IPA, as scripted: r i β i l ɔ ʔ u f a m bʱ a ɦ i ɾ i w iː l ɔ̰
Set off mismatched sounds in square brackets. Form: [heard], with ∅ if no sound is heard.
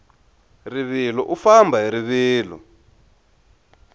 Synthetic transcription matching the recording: r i β i l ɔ ʔ u f a m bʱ a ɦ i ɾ i [β] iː l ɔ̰